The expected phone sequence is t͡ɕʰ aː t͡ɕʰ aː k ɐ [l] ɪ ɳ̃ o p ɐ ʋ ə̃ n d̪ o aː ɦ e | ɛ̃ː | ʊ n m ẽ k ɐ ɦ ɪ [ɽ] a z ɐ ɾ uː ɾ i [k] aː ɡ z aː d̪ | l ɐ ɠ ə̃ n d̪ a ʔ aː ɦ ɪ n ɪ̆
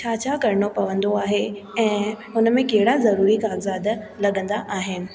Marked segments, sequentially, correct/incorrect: incorrect: ɾ, correct, correct

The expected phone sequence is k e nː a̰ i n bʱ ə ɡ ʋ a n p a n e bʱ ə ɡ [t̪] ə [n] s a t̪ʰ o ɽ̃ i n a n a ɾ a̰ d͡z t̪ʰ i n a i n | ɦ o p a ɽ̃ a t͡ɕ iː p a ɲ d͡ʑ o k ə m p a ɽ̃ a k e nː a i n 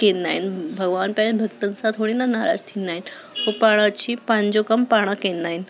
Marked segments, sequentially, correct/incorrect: correct, correct

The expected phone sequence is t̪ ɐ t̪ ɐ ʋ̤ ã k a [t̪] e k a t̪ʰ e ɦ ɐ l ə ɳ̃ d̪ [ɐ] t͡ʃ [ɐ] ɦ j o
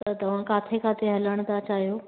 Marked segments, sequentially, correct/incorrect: incorrect: t̪ʰ, incorrect: a, incorrect: a

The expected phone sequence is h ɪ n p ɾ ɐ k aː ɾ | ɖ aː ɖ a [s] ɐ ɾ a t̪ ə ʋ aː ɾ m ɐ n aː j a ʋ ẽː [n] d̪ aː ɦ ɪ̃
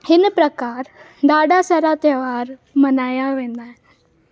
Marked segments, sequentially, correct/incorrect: correct, correct

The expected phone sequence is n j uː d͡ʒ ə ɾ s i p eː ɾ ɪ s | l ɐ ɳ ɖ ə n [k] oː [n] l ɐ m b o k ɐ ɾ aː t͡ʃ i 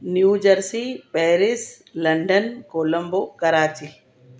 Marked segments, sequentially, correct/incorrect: correct, incorrect: none

